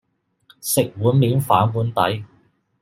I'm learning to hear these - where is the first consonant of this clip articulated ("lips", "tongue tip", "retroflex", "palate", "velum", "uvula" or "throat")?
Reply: tongue tip